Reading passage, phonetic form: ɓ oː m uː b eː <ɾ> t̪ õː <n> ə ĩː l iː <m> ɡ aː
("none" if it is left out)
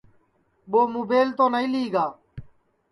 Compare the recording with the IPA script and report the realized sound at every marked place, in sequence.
l, n, none

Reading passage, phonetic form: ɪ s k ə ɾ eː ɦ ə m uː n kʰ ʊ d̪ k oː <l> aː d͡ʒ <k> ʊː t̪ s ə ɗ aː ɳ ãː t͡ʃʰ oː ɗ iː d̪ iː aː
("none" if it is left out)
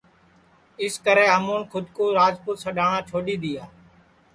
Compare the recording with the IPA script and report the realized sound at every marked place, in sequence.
ɾ, p

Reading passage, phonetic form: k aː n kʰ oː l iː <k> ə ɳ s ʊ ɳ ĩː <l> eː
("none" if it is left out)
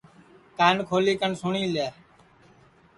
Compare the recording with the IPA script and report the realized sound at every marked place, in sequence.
k, l

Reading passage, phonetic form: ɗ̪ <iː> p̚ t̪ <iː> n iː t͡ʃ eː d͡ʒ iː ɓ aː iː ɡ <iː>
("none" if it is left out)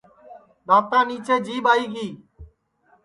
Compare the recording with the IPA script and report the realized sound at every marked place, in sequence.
aː, aː, iː

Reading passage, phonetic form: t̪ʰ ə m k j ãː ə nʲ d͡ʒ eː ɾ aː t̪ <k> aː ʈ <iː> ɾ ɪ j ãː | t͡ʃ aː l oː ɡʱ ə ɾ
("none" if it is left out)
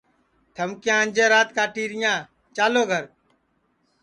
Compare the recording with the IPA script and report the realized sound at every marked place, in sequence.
k, iː

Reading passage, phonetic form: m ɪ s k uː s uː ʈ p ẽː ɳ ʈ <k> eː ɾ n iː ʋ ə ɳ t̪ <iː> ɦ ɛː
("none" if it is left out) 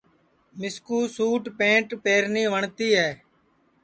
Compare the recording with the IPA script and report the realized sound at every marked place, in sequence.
p, iː

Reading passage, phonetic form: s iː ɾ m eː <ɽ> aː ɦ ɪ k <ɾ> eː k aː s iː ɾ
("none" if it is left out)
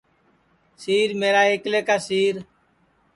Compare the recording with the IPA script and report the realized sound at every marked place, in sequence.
ɾ, l

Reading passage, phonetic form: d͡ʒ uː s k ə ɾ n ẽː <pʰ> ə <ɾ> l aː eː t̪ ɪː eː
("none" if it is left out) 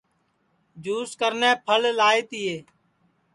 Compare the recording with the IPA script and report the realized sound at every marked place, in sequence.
pʰ, l

